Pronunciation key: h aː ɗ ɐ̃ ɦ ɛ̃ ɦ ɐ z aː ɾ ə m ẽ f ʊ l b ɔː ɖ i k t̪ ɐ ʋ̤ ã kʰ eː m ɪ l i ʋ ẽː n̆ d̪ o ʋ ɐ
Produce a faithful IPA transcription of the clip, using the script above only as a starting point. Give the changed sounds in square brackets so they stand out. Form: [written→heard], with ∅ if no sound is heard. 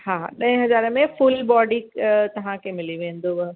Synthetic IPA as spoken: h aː ɗ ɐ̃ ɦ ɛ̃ ɦ ɐ z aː ɾ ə m ẽ f ʊ l b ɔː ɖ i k t̪ ɐ ʋ̤ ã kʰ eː m ɪ l i ʋ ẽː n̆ d̪ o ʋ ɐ